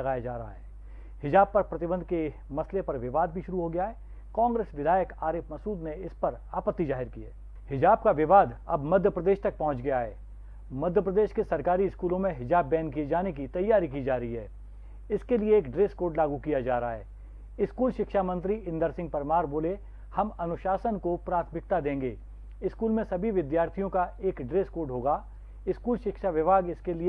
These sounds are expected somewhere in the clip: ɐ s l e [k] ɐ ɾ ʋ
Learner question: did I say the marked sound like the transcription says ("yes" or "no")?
no